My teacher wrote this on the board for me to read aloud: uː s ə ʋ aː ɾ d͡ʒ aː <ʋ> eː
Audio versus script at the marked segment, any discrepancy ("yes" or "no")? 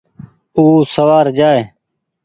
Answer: yes